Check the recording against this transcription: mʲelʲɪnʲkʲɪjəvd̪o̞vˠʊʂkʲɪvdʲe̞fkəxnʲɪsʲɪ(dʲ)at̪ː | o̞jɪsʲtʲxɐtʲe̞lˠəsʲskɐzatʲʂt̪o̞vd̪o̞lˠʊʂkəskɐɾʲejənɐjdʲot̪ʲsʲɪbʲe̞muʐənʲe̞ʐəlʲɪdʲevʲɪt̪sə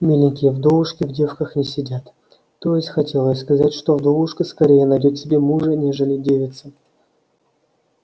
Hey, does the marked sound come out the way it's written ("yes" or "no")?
yes